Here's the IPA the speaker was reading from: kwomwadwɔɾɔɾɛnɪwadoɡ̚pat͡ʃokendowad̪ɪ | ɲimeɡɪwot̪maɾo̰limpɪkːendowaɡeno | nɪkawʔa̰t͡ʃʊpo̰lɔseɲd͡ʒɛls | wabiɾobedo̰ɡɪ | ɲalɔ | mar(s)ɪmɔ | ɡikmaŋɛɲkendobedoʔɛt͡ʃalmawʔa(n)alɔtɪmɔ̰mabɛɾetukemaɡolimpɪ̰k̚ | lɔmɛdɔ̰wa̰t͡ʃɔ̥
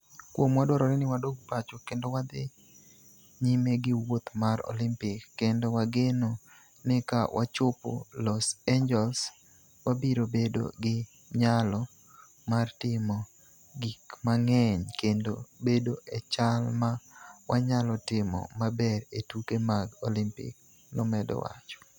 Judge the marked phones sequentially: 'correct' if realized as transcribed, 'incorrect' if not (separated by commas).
incorrect, incorrect